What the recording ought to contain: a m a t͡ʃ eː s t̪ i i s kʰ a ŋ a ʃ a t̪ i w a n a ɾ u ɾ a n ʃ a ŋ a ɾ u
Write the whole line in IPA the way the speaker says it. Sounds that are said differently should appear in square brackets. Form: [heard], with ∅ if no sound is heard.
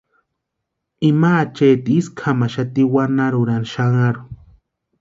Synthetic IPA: [i] m a t͡ʃ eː [∅] t̪ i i s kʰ a [m] a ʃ a t̪ i w a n a ɾ u ɾ a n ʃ a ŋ a ɾ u

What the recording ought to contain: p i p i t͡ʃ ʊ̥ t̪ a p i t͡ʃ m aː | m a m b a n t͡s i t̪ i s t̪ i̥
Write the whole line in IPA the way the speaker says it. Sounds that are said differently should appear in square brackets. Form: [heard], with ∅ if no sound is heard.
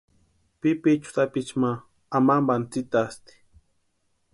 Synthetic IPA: p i p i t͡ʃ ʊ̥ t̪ a p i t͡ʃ m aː | m a m b a n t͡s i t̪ [a] s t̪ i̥

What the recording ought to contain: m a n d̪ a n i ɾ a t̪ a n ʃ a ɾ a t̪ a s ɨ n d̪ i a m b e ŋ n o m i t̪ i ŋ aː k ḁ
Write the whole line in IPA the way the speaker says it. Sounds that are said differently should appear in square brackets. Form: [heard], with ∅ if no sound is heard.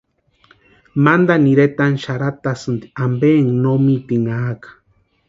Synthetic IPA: m a n d̪ a n i ɾ [e] t̪ a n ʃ a ɾ a t̪ a s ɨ n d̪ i a m b e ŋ n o m i t̪ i ŋ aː k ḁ

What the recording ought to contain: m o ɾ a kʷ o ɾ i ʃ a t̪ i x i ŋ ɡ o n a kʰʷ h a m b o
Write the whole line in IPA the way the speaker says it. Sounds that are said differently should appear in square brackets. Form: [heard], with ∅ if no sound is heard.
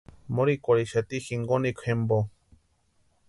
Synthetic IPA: m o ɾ [i] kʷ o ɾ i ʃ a t̪ i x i ŋ ɡ o n [i] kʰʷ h [e] m b o

